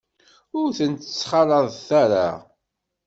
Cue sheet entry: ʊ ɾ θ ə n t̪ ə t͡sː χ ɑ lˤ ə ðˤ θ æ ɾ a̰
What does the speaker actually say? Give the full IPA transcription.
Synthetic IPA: ʊ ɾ θ ə n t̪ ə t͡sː χ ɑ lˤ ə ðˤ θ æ ɾ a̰